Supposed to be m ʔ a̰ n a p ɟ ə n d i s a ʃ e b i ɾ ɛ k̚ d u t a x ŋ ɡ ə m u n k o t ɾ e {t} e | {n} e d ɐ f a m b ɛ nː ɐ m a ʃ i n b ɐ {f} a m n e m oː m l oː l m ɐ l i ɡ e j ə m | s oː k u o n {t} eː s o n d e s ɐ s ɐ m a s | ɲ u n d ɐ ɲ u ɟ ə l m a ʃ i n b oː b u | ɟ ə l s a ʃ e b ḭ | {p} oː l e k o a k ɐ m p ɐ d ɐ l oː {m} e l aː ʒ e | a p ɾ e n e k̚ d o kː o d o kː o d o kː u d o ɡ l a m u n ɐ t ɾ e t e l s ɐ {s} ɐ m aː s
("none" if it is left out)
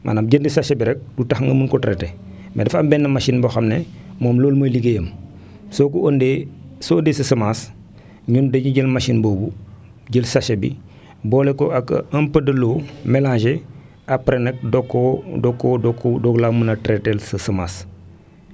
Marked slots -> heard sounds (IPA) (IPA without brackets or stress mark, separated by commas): t, m, x, d, b, m, s